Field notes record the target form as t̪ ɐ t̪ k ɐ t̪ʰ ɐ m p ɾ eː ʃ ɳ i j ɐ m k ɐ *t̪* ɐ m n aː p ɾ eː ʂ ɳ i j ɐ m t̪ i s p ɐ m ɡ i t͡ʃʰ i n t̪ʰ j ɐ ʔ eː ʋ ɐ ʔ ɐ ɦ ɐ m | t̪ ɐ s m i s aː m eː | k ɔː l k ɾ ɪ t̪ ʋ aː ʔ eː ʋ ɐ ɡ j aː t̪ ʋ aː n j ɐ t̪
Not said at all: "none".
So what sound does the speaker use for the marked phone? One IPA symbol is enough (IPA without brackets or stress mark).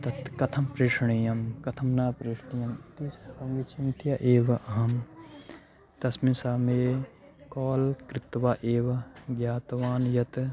t̪ʰ